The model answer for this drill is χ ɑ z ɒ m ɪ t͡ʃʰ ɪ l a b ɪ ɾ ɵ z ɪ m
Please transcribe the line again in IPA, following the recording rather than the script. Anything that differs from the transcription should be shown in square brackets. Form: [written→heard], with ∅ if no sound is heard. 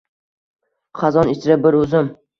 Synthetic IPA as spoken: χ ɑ z ɒ [m→n] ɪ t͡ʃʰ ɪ [l→ɾ] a b ɪ ɾ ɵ z ɪ m